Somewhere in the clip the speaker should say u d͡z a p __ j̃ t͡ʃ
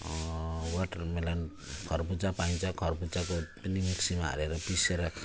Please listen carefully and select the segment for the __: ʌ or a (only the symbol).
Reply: a